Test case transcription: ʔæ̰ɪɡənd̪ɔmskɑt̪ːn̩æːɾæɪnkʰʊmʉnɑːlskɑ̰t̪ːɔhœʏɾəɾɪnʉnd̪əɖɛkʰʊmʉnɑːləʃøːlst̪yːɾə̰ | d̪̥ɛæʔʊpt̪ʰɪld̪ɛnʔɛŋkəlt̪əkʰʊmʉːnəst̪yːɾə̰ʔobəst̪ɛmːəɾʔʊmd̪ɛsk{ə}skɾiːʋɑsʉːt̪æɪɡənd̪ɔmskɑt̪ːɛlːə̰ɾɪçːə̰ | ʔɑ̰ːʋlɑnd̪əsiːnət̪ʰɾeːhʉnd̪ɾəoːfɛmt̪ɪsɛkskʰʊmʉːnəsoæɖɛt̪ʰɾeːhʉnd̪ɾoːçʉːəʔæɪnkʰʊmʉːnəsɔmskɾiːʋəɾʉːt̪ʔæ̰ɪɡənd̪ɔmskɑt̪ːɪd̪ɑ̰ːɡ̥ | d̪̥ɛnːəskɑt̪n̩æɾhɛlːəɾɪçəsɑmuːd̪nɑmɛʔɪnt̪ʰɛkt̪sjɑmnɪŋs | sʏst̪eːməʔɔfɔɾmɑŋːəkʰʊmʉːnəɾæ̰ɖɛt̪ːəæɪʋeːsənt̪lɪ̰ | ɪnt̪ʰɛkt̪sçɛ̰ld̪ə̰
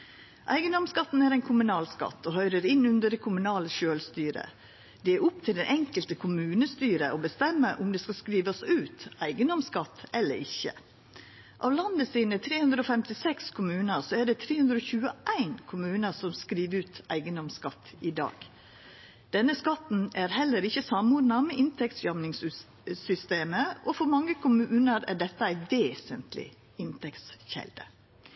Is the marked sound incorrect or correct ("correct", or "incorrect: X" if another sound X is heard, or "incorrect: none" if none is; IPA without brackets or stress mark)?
incorrect: ɑ